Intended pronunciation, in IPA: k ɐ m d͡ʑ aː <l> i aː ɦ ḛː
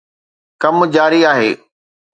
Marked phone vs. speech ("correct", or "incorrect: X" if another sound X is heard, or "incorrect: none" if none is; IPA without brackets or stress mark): incorrect: ɾ